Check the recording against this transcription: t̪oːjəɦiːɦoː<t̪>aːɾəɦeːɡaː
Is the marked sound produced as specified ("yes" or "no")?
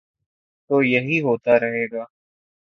yes